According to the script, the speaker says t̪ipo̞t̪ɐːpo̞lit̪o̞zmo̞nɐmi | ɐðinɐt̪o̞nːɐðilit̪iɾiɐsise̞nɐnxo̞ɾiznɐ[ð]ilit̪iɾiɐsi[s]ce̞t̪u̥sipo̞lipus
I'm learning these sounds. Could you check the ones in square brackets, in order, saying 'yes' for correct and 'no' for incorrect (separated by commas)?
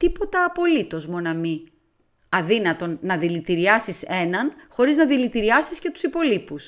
yes, yes